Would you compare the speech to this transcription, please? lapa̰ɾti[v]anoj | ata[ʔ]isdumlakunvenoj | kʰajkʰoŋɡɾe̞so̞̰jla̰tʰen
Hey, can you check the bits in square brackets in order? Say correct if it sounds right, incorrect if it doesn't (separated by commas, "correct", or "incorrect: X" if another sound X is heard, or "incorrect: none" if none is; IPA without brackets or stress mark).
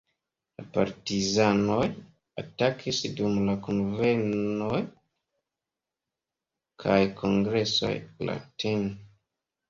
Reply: incorrect: z, incorrect: k